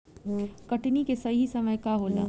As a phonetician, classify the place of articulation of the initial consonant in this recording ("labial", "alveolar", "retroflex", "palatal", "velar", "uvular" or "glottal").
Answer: velar